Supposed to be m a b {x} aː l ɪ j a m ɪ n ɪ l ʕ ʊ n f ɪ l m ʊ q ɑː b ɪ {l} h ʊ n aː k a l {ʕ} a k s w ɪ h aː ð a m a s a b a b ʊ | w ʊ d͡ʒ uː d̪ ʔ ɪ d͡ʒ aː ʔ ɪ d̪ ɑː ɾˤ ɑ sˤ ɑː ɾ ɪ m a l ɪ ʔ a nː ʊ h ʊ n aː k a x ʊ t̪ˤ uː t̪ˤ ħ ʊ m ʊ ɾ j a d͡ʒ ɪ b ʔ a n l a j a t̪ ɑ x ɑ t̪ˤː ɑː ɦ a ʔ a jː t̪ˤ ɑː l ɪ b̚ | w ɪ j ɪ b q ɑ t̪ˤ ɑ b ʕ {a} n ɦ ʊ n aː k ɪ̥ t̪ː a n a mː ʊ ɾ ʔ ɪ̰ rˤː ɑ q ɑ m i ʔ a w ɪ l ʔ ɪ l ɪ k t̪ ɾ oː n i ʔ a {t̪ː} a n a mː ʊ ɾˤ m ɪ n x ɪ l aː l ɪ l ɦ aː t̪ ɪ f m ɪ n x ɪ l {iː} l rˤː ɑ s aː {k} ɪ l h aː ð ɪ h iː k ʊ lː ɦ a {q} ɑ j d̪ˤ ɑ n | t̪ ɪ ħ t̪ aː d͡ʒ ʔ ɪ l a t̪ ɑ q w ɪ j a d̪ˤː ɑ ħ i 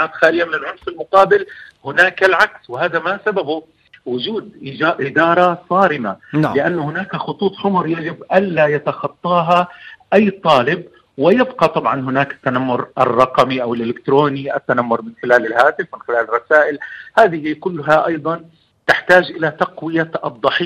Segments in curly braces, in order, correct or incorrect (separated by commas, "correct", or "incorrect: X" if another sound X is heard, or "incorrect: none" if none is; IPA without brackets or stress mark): correct, correct, correct, incorrect: ɑ, correct, incorrect: aː, incorrect: ʔ, incorrect: ʔ